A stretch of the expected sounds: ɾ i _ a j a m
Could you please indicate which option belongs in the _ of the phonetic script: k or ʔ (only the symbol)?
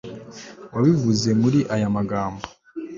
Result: ʔ